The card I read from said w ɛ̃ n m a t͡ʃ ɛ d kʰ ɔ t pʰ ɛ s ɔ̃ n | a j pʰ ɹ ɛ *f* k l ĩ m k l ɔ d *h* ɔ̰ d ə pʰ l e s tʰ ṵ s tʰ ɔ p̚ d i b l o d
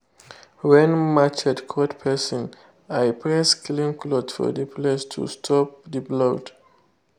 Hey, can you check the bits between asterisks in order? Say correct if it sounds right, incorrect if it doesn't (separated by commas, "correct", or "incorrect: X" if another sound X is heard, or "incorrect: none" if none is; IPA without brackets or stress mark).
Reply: incorrect: s, incorrect: f